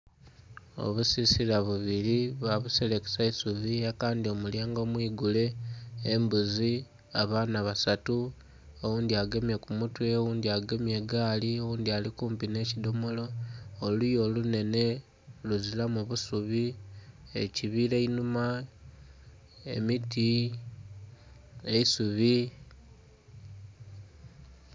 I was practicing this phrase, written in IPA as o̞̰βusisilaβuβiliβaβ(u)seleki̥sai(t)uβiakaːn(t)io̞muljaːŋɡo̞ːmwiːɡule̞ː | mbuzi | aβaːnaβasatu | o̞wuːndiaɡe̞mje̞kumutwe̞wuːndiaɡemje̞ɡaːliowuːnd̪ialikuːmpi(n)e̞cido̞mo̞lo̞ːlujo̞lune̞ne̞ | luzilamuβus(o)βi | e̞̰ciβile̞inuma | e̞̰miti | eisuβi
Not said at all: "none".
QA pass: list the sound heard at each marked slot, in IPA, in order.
u, s, d, n, u

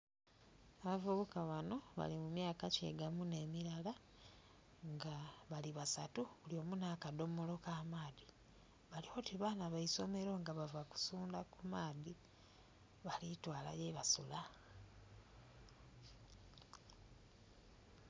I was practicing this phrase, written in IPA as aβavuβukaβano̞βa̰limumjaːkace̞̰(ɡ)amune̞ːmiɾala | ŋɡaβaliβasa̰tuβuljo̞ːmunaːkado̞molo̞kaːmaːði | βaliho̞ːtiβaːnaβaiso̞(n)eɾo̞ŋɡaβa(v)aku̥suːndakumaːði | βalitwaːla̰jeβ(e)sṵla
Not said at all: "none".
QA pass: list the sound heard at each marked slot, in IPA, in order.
ɡ, m, v, a

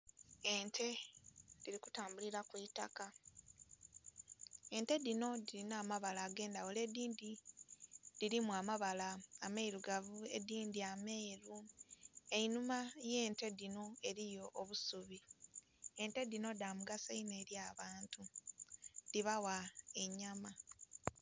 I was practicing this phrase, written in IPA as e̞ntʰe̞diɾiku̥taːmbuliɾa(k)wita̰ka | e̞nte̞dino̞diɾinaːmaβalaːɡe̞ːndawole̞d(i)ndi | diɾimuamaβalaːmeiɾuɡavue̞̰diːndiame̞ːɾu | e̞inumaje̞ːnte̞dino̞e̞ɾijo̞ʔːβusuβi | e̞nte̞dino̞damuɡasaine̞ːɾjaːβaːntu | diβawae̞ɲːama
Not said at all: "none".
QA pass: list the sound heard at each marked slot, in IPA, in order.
k, iː

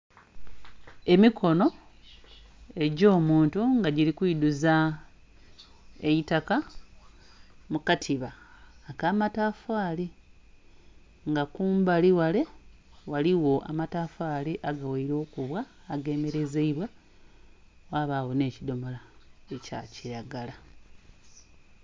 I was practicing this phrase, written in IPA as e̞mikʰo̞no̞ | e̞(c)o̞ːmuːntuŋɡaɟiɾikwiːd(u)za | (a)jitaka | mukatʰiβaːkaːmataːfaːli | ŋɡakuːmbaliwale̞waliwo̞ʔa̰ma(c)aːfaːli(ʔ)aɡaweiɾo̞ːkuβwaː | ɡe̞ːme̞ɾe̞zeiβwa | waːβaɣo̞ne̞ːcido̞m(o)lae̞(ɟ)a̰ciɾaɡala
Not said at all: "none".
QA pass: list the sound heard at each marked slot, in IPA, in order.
ɟ, u, e, t, ʔ, o, c

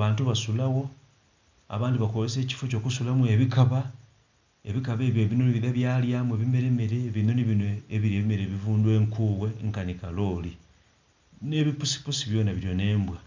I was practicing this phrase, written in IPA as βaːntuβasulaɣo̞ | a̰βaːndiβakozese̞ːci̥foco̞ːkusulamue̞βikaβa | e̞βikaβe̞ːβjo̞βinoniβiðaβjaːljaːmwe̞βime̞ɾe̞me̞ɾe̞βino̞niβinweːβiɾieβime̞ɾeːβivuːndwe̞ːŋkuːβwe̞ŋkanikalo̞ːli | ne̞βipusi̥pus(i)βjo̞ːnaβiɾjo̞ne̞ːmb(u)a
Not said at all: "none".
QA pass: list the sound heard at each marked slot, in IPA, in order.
i, w

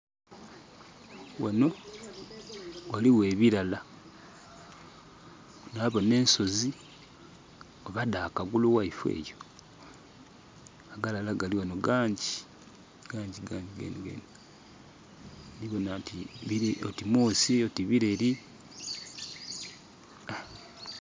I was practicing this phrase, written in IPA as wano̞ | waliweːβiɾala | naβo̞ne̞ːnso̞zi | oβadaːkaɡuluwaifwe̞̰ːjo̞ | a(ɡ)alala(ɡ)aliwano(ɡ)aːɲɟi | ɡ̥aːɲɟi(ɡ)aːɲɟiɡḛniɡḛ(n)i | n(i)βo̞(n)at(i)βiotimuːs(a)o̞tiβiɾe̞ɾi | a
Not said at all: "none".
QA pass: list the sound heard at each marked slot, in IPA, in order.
ɡ, ɡ, ɡ, ɡ, n, i, n, i, i

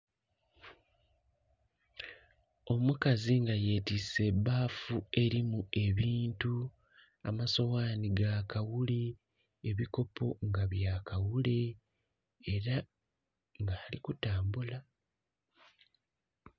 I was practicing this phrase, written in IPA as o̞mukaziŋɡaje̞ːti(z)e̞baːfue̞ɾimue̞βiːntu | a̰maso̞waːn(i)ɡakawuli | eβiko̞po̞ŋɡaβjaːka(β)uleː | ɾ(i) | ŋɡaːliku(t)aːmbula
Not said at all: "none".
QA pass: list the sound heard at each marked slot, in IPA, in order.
s, i, w, a, t

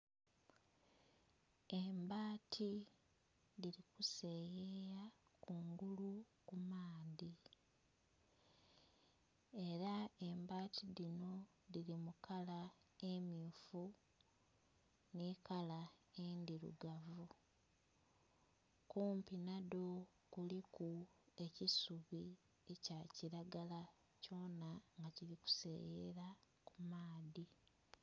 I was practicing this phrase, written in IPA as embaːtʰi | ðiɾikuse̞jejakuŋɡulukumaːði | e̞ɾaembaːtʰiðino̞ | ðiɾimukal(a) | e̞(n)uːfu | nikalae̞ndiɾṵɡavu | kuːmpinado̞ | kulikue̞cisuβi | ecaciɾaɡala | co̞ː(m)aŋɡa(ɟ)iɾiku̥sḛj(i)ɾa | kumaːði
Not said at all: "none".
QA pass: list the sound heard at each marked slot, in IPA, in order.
a, m, n, c, e

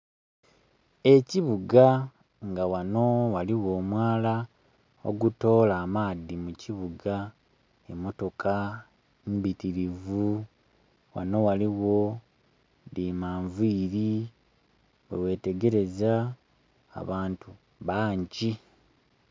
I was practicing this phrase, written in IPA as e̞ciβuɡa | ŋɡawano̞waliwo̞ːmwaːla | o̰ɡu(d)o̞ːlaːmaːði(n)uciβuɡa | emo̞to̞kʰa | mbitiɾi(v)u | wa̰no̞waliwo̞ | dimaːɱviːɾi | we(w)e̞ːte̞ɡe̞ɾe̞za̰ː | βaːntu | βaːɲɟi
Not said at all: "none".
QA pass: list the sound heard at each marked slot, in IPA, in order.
t, m, v, w

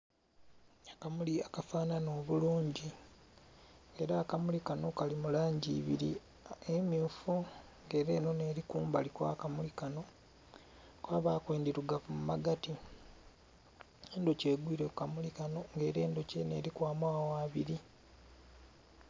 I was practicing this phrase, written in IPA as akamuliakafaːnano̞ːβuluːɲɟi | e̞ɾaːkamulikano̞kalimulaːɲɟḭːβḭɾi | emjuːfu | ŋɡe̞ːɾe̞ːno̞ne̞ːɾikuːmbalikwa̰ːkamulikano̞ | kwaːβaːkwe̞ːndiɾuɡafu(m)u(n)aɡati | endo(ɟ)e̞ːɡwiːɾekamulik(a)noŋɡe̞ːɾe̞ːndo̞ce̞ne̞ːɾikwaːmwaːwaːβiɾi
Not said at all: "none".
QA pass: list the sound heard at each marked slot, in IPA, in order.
m, m, c, a

